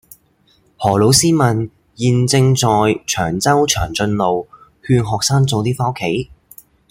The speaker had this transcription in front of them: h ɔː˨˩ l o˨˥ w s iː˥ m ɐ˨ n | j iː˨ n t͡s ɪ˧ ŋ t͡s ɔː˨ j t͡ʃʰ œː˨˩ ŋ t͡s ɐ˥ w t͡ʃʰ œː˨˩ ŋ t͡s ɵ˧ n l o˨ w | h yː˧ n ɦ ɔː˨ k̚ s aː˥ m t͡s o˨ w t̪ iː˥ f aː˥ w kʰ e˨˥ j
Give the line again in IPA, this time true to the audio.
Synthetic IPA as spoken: h ɔː˨˩ l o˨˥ w s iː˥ m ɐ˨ n | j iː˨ n t͡s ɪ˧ ŋ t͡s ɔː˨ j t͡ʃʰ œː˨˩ ŋ t͡s ɐ˥ w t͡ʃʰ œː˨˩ ŋ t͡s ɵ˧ n l o˨ w | h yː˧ n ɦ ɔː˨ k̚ s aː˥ ŋ t͡s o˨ w t̪ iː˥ f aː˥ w kʰ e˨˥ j